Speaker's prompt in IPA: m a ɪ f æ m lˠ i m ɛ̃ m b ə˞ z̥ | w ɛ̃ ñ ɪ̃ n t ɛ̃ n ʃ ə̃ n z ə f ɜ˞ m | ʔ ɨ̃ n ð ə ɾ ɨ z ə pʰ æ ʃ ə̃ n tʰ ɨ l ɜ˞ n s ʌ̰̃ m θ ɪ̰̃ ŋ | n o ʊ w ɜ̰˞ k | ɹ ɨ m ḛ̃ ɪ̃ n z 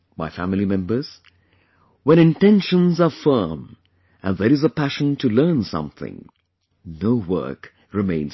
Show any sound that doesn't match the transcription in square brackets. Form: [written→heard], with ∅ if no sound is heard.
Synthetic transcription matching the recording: m a ɪ f æ m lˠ i m ɛ̃ m b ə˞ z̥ | w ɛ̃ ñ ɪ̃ n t ɛ̃ n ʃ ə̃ n z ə f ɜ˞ m | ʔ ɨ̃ n ð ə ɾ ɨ z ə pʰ æ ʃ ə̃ n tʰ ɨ l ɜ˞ n s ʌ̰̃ m θ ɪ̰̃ ŋ | n o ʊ w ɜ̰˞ k | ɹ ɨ m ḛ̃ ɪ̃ n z